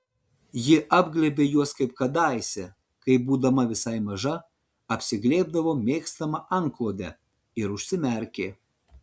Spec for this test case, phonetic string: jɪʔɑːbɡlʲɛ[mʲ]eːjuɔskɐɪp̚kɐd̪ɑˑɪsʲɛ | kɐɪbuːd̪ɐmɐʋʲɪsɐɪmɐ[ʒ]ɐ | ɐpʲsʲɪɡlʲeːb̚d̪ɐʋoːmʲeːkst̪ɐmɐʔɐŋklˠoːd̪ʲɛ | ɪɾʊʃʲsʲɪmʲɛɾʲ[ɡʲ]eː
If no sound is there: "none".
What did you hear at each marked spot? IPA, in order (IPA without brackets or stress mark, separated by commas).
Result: bʲ, ʒ, kʲ